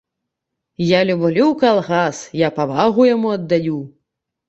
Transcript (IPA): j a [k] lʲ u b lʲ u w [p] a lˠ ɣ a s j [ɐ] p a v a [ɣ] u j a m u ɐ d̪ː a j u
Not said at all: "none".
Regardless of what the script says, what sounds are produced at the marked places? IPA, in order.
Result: none, k, a, ɣ

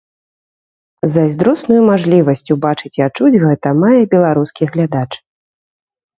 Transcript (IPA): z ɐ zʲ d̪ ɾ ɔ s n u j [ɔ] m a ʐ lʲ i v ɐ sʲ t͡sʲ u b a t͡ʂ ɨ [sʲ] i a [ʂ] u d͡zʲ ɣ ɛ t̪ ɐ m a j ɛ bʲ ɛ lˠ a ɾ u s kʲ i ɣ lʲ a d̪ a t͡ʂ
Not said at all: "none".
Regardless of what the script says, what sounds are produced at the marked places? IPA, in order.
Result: u, t͡sʲ, t͡ʂ

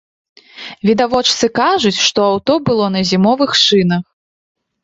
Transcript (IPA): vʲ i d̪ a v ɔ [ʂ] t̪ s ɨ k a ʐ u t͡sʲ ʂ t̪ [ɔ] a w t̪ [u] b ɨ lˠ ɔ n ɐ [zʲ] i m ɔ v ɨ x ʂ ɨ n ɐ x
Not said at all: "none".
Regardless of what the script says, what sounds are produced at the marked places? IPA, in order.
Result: t͡ʂ, ɔ, ɔ, zʲ

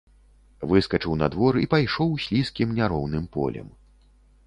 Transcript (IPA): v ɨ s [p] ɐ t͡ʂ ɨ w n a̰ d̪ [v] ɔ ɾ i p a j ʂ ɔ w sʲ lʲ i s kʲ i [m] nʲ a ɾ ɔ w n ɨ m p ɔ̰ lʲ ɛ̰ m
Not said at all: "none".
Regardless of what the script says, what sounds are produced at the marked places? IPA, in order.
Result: k, v, m

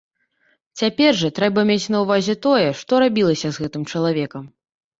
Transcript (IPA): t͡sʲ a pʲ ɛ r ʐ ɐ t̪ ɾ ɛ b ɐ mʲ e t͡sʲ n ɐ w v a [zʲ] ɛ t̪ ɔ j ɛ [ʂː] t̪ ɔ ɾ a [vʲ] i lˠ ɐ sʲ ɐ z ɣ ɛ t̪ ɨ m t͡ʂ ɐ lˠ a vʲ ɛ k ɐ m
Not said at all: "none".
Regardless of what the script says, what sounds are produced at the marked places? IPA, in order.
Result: zʲ, ʂ, bʲ

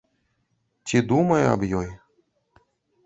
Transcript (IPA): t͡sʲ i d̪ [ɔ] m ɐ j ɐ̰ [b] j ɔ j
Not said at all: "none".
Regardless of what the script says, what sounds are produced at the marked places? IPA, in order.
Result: u, b

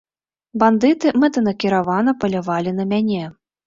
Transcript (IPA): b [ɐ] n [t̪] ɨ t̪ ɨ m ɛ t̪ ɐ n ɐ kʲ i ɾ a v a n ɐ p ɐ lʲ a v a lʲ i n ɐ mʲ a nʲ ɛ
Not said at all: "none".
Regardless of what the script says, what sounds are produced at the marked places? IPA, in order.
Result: a, d̪

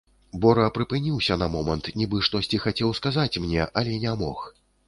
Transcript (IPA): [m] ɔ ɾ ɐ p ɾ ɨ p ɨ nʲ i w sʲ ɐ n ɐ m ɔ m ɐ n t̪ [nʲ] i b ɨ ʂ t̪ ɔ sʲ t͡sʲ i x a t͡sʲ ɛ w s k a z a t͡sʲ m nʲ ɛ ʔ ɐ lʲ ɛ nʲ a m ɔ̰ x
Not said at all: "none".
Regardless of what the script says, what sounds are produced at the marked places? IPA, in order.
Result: b, nʲ

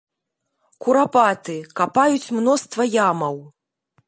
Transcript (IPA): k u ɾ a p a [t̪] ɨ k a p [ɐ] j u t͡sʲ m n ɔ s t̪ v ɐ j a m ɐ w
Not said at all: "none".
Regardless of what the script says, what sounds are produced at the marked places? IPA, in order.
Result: t̪, a

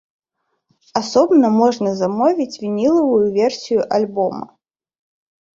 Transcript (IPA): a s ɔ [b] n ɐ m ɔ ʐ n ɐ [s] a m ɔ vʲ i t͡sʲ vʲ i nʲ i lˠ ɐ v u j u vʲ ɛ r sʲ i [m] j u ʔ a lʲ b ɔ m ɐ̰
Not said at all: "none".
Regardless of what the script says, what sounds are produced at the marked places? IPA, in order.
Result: b, z, none

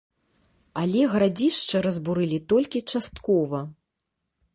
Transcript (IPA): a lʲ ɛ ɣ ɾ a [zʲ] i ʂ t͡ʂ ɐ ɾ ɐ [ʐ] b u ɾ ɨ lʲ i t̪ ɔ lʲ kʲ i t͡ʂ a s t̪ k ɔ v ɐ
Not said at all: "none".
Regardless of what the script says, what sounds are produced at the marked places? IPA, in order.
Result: d͡zʲ, z

